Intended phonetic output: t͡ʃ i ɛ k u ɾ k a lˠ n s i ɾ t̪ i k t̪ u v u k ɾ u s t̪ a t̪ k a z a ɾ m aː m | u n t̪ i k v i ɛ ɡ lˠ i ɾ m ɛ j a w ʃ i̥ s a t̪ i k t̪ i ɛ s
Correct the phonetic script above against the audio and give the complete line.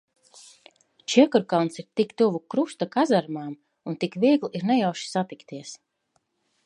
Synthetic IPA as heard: t͡ʃ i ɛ k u ɾ k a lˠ n s i ɾ t̪ i k t̪ u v u k ɾ u s t̪ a k a z a ɾ m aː m | u n t̪ i k v i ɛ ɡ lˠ i ɾ n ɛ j a w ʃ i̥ s a t̪ i k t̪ i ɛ s